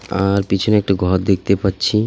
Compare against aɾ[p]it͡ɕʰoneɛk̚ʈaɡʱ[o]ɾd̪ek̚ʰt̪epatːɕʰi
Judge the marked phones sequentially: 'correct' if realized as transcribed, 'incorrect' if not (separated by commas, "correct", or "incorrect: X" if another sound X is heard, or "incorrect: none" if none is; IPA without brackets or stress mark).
correct, incorrect: ɔ